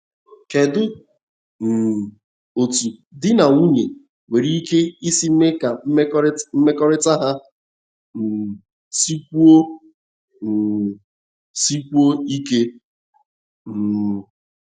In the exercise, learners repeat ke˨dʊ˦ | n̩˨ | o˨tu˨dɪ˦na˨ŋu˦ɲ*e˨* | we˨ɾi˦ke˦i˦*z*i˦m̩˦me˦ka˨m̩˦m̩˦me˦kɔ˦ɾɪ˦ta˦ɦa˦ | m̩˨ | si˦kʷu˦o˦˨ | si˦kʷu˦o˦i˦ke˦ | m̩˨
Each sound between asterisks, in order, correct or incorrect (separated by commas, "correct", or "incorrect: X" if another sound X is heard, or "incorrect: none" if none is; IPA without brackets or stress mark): correct, incorrect: s